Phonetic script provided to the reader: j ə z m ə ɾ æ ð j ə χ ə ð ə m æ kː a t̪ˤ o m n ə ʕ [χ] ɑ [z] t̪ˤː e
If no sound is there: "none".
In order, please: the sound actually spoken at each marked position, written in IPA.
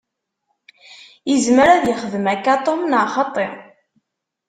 χ, none

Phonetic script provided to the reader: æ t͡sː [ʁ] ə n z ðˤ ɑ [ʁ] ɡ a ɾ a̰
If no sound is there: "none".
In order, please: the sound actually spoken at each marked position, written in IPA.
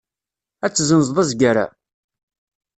z, z

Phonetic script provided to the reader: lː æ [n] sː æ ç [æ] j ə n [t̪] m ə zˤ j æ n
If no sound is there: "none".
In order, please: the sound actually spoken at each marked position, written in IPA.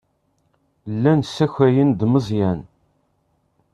n, æ, d̪

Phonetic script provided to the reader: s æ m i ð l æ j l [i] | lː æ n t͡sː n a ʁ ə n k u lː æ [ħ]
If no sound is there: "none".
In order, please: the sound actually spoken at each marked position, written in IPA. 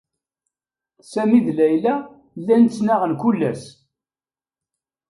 æ, s

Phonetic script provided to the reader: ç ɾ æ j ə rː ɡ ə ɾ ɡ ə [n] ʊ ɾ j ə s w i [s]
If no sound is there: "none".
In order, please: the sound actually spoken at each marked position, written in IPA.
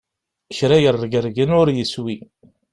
n, none

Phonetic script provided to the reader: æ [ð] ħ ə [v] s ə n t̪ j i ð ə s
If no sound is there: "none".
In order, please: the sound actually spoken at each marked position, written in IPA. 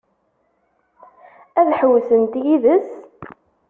ð, w

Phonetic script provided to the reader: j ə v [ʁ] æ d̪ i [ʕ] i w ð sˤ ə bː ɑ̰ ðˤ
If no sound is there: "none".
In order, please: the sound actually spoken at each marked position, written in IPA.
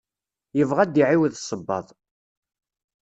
ʁ, ʕ

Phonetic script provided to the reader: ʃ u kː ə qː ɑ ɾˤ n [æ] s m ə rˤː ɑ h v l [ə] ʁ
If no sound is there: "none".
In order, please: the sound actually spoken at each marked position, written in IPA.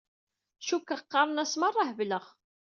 æ, ə

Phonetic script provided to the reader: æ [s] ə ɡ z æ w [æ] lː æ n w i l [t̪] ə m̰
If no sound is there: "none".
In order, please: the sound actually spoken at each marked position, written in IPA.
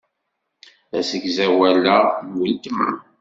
s, æ, t̪

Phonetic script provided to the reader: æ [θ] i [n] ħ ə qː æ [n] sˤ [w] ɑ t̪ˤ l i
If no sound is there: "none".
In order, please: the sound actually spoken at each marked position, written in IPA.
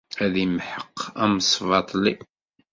ð, m, m, v

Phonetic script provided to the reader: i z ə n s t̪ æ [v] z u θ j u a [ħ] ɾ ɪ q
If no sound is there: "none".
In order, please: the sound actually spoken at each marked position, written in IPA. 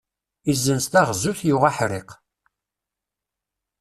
ʁ, ħ

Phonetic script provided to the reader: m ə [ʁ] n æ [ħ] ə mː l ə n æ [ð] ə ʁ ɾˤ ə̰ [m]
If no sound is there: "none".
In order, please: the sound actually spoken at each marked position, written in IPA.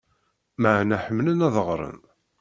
ʕ, ħ, ð, n

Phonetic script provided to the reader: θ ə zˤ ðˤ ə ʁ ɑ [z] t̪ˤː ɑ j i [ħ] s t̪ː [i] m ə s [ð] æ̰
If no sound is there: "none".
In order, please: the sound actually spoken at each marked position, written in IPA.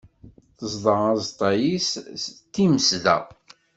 z, s, i, ð

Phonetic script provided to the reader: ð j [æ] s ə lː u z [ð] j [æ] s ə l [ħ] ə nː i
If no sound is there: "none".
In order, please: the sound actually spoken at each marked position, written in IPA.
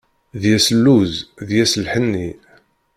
æ, ð, æ, ħ

